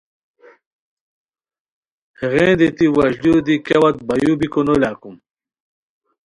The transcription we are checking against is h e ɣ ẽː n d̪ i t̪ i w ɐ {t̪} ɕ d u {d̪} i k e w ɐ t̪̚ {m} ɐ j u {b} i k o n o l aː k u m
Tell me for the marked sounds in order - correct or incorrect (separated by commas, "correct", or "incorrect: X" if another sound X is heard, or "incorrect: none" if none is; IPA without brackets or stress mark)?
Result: incorrect: none, correct, incorrect: b, correct